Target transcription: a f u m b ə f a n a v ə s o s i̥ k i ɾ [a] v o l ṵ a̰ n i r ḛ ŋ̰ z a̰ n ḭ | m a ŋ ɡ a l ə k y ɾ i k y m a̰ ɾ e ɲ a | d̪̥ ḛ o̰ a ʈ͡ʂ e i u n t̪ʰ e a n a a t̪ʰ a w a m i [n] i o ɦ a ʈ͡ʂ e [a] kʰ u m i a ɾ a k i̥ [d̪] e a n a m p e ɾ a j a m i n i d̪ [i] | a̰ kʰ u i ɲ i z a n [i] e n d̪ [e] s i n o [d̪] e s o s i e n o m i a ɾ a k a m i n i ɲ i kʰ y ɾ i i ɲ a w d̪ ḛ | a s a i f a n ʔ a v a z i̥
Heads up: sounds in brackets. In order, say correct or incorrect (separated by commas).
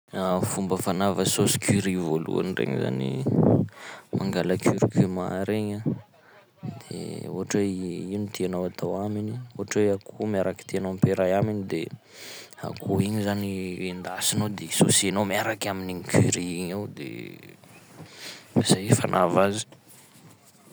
incorrect, correct, correct, incorrect, incorrect, correct, incorrect, correct